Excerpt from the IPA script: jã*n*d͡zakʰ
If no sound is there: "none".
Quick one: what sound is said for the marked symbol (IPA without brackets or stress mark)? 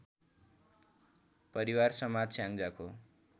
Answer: ŋ